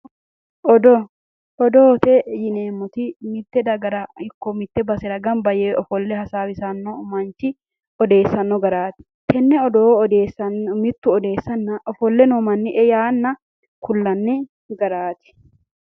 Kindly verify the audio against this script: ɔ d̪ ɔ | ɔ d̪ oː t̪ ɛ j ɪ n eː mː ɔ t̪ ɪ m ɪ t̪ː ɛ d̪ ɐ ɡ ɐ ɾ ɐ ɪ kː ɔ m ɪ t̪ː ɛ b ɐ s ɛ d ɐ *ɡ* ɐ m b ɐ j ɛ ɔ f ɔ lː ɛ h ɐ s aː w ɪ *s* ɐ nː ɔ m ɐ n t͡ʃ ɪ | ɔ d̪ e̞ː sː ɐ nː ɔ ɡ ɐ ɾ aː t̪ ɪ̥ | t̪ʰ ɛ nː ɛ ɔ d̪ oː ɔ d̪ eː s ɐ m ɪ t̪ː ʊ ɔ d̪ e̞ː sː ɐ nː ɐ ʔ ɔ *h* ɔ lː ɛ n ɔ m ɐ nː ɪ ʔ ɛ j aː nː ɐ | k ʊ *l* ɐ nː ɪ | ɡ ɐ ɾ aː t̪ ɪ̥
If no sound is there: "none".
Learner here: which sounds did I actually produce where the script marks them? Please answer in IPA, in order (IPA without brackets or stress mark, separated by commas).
ɡ, s, f, lː